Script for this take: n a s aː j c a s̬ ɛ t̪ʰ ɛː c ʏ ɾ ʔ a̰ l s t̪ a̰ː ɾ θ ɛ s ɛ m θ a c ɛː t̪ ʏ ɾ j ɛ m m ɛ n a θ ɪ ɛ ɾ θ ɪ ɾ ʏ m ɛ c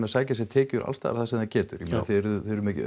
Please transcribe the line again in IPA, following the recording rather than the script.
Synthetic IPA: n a s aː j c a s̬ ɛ t̪ʰ ɛː c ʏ ɾ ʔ a̰ l s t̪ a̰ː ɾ θ a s ɛ m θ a c ɛː t̪ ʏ ɾ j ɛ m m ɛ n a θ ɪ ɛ ɾ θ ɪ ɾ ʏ m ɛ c